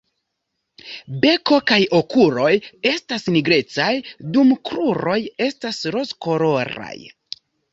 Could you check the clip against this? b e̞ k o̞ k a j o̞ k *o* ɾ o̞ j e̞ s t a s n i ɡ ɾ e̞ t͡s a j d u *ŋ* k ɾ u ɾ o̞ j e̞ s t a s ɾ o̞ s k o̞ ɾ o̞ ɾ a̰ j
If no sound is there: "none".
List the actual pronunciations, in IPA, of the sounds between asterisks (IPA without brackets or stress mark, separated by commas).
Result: u, m